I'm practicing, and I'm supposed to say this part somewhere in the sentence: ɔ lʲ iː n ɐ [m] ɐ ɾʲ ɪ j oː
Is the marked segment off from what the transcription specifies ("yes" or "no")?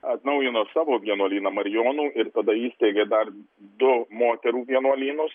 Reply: no